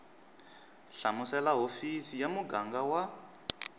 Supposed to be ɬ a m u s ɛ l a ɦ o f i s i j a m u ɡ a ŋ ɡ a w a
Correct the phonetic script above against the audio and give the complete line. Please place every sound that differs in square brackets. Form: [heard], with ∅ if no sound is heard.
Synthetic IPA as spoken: ɬ a m u s ɛ l a ɦ o f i s i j a m u ɡ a ŋ ɡ a w a